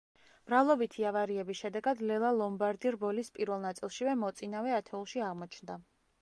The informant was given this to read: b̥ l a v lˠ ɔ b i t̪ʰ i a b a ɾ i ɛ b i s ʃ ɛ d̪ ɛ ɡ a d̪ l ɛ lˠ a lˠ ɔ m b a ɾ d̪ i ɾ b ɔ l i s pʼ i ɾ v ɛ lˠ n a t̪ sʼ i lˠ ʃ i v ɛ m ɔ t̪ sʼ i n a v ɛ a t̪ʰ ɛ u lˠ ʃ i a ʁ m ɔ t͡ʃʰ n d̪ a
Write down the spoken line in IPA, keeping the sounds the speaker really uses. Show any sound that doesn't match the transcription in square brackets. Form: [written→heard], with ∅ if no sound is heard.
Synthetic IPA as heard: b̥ [l→ɾ] a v lˠ ɔ b i t̪ʰ i a [b→v] a ɾ i ɛ b i s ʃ ɛ d̪ ɛ ɡ a d̪ l ɛ lˠ a lˠ ɔ m b a ɾ d̪ i ɾ b ɔ l i s pʼ i ɾ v ɛ lˠ n a t̪ sʼ i lˠ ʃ i v ɛ m ɔ t̪ sʼ i n a v ɛ a t̪ʰ ɛ u lˠ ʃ i a ʁ m ɔ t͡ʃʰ n d̪ a